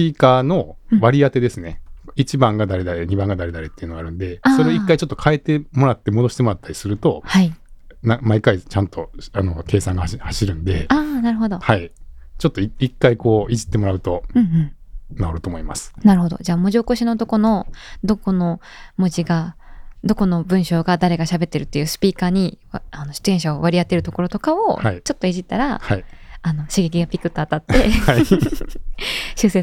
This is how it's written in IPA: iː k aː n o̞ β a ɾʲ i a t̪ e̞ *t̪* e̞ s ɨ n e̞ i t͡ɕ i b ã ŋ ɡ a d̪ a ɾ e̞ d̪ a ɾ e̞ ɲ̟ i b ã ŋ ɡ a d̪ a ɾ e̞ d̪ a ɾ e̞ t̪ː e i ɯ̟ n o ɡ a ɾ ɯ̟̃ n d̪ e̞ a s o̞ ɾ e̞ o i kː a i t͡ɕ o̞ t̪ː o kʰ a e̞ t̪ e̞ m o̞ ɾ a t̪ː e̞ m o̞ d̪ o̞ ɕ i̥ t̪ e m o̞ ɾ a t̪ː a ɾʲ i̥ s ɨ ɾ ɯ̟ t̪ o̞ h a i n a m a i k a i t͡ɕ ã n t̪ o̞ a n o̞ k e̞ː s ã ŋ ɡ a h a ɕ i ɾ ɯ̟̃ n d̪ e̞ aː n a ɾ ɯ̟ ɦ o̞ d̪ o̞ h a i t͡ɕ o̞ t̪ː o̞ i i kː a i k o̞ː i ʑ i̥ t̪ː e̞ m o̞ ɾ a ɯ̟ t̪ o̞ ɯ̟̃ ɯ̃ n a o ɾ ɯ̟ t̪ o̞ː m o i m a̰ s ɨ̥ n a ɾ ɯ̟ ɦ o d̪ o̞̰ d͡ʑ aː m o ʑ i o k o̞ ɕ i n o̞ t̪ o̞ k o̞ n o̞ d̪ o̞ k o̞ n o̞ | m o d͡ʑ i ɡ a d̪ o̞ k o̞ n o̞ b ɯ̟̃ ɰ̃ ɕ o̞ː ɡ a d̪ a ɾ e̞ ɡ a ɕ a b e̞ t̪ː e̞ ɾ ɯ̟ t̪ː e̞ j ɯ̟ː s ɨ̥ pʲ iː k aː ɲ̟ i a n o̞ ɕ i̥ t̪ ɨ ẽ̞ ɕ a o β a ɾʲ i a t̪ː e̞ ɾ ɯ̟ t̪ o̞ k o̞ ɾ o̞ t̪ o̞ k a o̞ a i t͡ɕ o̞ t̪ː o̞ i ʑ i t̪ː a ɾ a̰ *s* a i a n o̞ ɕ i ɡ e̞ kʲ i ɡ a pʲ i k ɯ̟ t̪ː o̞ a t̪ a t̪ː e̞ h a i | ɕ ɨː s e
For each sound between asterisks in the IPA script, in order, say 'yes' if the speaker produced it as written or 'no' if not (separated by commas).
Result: no, no